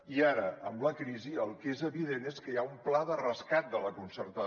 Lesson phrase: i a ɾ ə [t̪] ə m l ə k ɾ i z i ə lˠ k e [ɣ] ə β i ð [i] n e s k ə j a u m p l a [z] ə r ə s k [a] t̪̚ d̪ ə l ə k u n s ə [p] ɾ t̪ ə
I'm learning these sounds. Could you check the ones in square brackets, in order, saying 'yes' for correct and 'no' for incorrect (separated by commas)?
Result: no, no, no, no, yes, no